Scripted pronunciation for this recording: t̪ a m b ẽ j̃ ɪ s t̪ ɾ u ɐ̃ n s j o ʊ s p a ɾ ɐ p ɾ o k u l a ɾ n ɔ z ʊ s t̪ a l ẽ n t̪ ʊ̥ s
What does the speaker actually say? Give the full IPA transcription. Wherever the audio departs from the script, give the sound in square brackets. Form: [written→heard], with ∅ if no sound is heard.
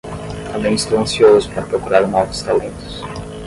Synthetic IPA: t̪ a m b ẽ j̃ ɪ s t̪ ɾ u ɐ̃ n s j o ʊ s p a ɾ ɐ p ɾ o k u [l→ɾ] a ɾ n ɔ [z→v] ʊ s t̪ a l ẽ n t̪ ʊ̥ s